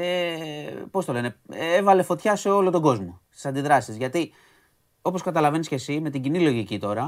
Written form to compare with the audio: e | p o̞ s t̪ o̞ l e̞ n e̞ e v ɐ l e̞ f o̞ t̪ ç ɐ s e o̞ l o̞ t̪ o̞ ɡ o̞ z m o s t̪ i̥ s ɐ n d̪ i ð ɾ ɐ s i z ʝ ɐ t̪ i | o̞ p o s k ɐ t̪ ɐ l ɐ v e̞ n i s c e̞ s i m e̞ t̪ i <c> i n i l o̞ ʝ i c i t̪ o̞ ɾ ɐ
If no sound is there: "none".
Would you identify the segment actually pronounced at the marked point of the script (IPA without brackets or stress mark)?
ɟ